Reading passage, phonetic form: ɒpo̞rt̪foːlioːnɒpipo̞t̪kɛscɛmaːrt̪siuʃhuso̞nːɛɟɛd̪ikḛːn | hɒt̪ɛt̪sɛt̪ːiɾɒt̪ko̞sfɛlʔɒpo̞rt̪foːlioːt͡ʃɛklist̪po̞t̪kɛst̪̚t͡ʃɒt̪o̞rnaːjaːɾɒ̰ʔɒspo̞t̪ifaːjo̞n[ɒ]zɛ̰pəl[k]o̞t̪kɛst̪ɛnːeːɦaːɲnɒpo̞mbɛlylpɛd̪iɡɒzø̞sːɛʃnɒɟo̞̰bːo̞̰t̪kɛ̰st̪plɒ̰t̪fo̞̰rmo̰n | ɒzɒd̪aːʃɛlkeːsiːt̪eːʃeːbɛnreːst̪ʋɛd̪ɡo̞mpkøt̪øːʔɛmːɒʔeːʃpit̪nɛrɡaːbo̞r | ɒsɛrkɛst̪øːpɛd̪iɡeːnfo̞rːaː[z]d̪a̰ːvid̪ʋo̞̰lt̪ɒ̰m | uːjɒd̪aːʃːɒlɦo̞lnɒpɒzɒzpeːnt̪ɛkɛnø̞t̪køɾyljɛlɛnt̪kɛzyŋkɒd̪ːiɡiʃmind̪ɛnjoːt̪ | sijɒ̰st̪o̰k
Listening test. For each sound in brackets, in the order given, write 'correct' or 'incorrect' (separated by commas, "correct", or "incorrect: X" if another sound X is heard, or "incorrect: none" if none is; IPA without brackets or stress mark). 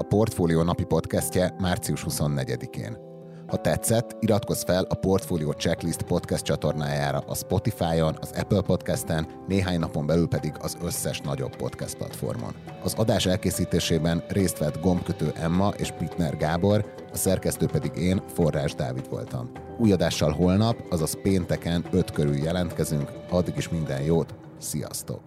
correct, incorrect: p, incorrect: ʒ